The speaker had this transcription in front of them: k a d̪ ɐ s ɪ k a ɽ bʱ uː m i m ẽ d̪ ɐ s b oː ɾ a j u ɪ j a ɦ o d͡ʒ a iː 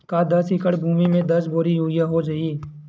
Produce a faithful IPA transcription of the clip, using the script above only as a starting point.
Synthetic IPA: k a d̪ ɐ s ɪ k ə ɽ bʱ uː m i m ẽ d̪ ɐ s b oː ɾ i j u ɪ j a ɦ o d͡ʒ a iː